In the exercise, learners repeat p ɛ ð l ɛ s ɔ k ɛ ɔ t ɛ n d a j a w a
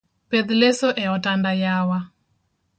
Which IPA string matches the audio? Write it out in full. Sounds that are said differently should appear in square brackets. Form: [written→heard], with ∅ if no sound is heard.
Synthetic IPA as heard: p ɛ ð l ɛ s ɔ [k→ʔ] ɛ ɔ t [ɛ→a] n d a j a w a